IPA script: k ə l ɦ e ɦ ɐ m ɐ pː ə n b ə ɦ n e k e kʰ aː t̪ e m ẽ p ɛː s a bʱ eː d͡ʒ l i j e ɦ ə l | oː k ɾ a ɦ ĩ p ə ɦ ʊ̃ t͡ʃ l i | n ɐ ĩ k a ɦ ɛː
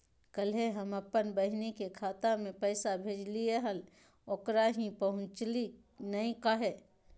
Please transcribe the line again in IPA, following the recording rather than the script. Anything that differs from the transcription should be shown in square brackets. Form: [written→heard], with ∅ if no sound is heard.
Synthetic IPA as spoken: k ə l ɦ e ɦ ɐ m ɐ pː ə n b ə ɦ n e k e kʰ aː t̪ [e→a] m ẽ p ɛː s a bʱ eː d͡ʒ l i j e ɦ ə l | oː k ɾ a ɦ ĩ p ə ɦ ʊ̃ t͡ʃ l i | n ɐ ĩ k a ɦ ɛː